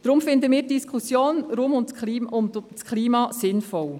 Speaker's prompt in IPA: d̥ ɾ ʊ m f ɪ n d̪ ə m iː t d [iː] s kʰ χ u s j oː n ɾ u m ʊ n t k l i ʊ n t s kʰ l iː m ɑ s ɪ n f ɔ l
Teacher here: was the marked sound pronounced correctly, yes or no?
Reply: no